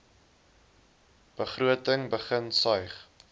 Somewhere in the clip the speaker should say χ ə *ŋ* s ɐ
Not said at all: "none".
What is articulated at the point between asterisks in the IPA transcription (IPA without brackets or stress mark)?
n